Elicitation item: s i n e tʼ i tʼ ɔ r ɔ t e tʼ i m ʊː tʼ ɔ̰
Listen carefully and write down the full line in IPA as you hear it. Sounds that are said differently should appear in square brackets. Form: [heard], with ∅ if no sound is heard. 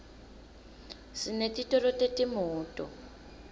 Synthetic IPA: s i n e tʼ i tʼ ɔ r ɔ t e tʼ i m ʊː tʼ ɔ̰